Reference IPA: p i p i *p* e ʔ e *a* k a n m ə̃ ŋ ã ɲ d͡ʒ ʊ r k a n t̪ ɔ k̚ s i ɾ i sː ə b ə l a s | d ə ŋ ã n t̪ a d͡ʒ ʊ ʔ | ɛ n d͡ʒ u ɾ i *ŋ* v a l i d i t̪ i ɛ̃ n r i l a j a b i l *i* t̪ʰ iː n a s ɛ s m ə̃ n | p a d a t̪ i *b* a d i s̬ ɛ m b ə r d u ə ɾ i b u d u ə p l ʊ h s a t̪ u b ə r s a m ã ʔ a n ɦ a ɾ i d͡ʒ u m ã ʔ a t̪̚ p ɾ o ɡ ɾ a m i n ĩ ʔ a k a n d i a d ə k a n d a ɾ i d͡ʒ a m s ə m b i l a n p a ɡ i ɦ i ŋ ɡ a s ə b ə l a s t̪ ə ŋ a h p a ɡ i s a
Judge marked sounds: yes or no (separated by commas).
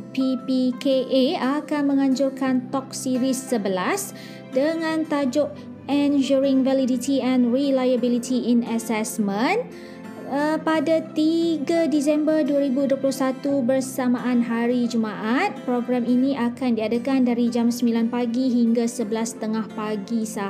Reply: no, yes, yes, yes, no